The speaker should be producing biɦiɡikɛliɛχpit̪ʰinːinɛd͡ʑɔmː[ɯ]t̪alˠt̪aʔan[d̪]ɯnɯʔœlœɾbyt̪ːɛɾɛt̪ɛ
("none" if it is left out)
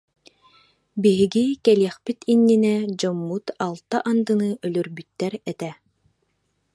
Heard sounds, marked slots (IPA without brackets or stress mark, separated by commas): u, d̪